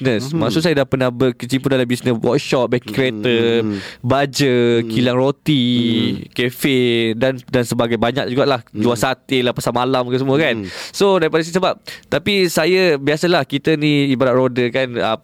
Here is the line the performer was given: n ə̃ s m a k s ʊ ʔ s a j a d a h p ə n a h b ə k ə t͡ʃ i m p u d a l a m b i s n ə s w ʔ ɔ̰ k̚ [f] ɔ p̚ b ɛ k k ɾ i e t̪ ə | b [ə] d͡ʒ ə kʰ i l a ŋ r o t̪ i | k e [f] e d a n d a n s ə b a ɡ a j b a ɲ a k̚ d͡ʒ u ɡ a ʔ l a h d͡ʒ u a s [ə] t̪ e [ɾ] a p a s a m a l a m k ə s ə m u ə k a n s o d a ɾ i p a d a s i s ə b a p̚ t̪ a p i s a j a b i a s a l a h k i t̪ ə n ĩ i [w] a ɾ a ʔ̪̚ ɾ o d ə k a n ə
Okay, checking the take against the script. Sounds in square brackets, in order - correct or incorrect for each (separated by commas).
incorrect, incorrect, correct, incorrect, incorrect, incorrect